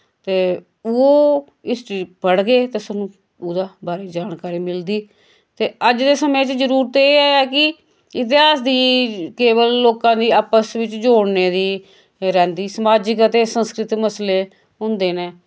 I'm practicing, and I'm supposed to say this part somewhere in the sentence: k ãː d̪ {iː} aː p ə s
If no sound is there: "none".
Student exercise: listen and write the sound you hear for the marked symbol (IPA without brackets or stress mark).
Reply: iː